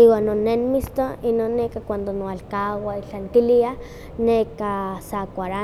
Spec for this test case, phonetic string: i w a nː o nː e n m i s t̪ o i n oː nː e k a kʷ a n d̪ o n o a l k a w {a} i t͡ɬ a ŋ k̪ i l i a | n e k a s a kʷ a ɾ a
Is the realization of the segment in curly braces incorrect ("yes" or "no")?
no